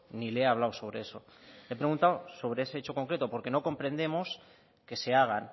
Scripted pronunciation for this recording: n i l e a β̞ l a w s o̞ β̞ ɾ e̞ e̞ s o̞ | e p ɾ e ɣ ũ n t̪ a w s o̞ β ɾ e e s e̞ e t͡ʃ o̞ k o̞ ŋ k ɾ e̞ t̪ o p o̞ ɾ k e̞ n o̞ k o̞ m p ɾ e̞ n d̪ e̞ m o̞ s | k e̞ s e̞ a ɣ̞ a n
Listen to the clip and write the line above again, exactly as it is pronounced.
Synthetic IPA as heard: n i l e a β̞ l a w s o̞ β̞ ɾ e̞ e̞ s o̞ | e p ɾ e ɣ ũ n t̪ a w s o̞ β ɾ e e s e̞ e t͡ʃ o̞ k o̞ ŋ k ɾ e̞ t̪ o p o̞ ɾ k e̞ n o̞ k o̞ m p ɾ e̞ n d̪ e̞ m o̞ s | k e̞ s e̞ a ɣ̞ a n